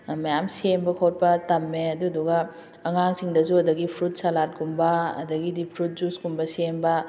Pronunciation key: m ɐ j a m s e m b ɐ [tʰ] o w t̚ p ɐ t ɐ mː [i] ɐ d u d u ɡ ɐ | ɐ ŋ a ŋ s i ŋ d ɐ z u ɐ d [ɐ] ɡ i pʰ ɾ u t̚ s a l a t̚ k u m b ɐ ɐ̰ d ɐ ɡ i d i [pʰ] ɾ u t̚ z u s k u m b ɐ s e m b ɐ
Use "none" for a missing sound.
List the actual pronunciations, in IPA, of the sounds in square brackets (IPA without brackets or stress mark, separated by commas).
kʰ, e, ɐ, pʰ